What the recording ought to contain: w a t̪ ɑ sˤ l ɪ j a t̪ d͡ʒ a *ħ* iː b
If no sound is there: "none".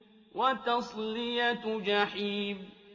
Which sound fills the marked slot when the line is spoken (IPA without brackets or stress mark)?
ħ